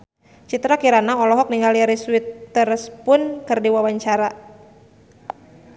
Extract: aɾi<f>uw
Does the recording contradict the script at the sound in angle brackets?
yes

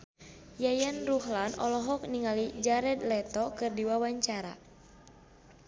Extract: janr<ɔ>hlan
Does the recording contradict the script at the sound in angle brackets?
yes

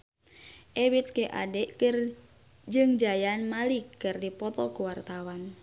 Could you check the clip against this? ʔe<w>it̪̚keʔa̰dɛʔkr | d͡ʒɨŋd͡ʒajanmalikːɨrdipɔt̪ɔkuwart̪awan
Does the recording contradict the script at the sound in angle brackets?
no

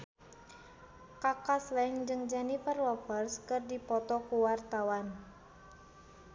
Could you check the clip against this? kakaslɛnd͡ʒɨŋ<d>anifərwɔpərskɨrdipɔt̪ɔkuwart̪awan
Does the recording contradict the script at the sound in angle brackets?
yes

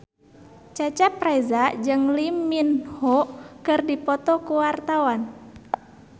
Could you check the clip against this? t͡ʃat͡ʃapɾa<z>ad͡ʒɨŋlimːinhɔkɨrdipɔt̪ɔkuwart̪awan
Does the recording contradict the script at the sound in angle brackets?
no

